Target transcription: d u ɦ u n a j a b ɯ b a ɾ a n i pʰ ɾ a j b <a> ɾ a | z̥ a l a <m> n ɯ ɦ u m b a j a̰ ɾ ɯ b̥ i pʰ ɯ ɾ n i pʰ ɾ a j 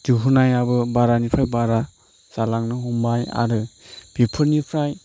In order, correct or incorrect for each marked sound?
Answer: correct, incorrect: ŋ

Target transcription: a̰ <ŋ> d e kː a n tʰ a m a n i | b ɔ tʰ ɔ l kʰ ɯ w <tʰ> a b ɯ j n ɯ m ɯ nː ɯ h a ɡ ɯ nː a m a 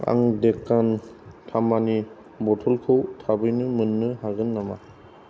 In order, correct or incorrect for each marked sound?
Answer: correct, correct

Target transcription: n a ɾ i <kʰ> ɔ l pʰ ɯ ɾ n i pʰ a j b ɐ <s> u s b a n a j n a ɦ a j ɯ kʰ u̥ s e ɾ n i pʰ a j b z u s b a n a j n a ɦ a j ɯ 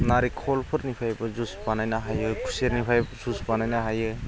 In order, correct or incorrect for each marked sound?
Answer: correct, incorrect: z

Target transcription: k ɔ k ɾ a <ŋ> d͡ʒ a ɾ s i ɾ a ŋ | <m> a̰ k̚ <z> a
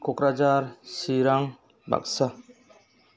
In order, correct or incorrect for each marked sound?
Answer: incorrect: none, incorrect: b, incorrect: s

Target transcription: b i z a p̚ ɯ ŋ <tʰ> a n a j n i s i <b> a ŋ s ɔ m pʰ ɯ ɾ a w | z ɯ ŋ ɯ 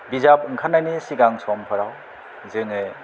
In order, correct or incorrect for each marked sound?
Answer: incorrect: kʰ, incorrect: ɡ

